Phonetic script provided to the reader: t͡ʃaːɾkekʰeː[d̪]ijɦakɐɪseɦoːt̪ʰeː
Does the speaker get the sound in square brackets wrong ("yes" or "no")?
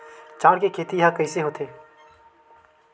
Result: yes